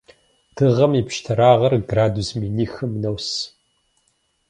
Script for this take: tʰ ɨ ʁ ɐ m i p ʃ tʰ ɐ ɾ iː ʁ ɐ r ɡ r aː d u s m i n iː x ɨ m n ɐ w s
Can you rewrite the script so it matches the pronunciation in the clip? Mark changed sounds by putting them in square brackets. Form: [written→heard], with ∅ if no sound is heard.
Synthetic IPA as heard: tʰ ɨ ʁ ɐ m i p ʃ tʰ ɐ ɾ [iː→aː] ʁ ɐ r ɡ r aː d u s m i n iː x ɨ m n ɐ w s